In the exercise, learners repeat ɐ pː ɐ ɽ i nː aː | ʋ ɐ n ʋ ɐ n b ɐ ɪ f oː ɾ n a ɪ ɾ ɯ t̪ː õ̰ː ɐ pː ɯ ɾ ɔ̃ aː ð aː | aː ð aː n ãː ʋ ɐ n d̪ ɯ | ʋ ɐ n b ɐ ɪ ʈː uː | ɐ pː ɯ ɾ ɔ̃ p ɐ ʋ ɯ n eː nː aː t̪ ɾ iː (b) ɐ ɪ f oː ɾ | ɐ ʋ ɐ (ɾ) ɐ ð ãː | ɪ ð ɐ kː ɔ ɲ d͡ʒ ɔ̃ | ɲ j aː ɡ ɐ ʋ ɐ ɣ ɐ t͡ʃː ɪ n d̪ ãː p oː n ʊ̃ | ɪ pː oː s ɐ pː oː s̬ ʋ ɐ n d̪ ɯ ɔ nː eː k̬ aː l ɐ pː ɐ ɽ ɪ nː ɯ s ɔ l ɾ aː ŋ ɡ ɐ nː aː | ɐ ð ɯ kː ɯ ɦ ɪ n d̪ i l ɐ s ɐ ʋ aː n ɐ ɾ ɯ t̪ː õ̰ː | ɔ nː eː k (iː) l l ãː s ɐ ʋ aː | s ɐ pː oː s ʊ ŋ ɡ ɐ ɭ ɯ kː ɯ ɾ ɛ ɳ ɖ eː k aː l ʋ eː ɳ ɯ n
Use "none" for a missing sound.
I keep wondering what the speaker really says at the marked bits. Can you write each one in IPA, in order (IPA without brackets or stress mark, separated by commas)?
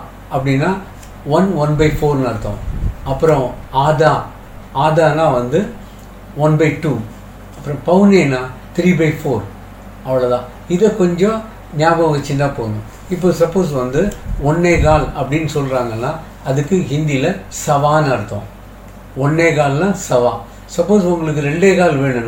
b, ɭ, aː